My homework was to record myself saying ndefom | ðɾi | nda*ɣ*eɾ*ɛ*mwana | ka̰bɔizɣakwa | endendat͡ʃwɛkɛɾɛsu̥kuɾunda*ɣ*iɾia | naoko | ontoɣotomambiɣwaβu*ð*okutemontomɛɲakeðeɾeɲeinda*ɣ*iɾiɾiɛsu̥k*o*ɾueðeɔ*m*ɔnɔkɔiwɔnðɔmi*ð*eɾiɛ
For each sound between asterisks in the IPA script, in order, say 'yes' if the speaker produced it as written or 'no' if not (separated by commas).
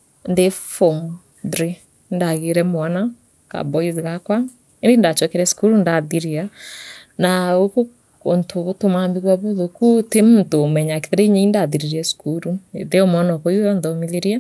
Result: yes, yes, no, yes, no, no, yes, yes